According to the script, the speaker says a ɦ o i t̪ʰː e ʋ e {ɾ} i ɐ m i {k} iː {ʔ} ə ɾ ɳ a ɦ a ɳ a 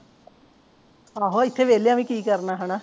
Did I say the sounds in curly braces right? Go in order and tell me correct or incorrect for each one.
incorrect, correct, incorrect

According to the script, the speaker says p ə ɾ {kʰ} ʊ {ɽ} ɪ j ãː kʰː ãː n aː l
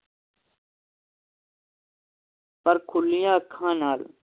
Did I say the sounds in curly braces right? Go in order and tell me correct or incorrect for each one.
correct, incorrect

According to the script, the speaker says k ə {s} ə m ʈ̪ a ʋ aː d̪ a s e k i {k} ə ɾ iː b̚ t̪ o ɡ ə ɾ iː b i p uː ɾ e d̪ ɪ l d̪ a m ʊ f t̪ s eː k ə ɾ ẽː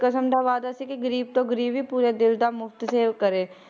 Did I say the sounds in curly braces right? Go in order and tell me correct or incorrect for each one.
correct, incorrect

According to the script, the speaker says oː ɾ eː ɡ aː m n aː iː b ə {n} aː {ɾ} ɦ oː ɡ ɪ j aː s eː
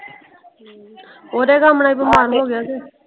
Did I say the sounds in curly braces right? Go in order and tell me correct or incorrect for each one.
incorrect, correct

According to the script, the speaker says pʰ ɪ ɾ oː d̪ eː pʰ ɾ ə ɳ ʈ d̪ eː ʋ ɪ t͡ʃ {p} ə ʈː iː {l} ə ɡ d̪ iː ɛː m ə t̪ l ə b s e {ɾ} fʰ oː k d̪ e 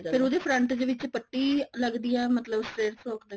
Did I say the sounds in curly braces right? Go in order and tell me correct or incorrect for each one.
correct, correct, correct

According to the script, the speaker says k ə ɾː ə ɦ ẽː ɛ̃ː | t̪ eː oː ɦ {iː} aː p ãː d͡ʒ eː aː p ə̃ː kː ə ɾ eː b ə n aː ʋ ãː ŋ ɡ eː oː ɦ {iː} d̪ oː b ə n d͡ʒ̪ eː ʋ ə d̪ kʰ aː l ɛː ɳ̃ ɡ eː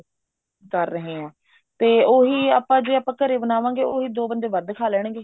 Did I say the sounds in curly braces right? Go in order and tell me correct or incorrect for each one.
correct, correct

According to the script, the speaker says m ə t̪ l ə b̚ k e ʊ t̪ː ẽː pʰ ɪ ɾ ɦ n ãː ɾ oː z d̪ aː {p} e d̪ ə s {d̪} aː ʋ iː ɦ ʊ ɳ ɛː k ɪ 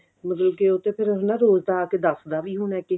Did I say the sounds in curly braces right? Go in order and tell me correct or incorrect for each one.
incorrect, correct

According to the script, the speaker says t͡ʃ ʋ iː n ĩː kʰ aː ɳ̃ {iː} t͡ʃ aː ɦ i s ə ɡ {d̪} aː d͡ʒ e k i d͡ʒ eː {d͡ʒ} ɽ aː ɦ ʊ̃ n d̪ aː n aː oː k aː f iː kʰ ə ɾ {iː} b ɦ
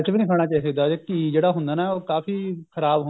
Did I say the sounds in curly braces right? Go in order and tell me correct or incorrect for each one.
incorrect, correct, incorrect, incorrect

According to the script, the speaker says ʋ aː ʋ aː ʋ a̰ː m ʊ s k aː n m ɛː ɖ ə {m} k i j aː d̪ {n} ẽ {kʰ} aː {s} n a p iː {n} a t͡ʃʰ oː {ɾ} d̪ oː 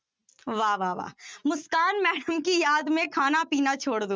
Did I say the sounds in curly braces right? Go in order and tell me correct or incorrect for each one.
correct, incorrect, correct, incorrect, correct, incorrect

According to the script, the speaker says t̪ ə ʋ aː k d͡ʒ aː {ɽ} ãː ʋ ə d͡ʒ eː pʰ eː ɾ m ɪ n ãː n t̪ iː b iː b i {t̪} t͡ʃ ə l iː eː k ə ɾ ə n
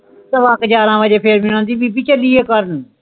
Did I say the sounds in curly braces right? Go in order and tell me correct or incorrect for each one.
incorrect, incorrect

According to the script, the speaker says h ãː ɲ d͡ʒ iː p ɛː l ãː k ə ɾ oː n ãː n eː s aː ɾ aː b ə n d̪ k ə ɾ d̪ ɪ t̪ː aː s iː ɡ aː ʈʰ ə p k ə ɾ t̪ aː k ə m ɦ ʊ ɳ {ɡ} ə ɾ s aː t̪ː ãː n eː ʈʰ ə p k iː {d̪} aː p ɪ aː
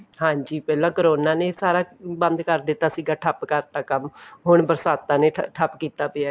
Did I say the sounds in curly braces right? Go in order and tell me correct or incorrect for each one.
incorrect, incorrect

